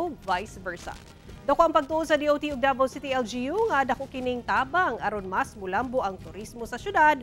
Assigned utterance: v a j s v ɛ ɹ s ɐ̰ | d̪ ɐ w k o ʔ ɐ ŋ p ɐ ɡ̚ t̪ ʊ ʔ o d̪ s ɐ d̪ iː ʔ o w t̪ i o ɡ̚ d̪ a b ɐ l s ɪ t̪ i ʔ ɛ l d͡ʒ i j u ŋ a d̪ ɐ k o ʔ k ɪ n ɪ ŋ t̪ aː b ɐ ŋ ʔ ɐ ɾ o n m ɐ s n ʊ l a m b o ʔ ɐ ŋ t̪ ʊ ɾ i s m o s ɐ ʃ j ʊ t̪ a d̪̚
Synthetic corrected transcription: v a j s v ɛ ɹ s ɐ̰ | d̪ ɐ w k o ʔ ɐ ŋ p ɐ ɡ̚ t̪ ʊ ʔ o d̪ s ɐ d̪ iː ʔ o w t̪ i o ɡ̚ d̪ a b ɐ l s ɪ t̪ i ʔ ɛ l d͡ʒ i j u ŋ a d̪ ɐ k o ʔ k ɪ n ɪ ŋ t̪ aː b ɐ ŋ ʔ ɐ ɾ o n m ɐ s m ʊ l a m b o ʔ ɐ ŋ t̪ ʊ ɾ i s m o s ɐ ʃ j ʊ d̪ a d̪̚